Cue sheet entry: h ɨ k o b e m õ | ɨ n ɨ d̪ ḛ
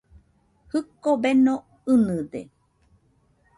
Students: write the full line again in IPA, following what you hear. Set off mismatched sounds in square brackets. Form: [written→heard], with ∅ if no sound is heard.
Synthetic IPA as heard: h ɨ k o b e [m→n] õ | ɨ n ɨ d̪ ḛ